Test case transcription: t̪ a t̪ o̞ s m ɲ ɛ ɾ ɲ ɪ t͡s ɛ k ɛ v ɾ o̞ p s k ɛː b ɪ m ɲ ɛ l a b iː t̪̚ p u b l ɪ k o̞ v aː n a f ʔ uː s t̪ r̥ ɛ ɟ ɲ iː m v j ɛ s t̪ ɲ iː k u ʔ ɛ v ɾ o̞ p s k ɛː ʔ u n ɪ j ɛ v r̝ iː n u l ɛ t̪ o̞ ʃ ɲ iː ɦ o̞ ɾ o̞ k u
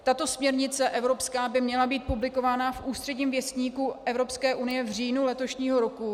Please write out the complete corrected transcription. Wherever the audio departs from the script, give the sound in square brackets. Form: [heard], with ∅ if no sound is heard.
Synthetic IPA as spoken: t̪ a t̪ o̞ s m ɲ ɛ ɾ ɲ ɪ t͡s ɛ [ʔ] ɛ v ɾ o̞ p s k [aː] b ɪ m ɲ ɛ l a b iː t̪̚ p u b l ɪ k o̞ v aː n a f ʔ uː s t̪ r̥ ɛ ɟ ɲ iː m v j ɛ s t̪ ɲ iː k u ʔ ɛ v ɾ o̞ p s k ɛː ʔ u n ɪ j ɛ v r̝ iː n u l ɛ t̪ o̞ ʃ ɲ iː ɦ o̞ ɾ o̞ k u